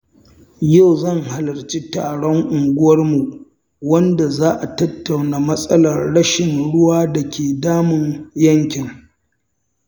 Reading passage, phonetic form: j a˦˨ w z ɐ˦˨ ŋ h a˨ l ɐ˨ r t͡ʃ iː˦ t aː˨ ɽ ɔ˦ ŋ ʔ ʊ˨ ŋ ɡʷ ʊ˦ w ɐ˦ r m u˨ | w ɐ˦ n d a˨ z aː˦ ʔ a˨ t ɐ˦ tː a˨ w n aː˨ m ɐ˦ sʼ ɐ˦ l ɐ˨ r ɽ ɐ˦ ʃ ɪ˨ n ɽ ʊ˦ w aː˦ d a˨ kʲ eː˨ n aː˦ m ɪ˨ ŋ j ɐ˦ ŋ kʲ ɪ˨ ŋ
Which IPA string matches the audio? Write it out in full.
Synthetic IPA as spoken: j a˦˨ w z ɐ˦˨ ŋ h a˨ l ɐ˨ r t͡ʃ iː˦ t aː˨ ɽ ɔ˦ ŋ ʔ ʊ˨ ŋ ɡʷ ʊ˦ w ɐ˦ r m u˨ | w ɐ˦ n d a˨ z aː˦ ʔ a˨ t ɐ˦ tː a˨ w n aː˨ m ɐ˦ sʼ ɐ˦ l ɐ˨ r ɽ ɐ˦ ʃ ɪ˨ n ɽ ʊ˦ w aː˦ d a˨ kʲ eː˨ d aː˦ m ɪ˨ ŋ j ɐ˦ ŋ kʲ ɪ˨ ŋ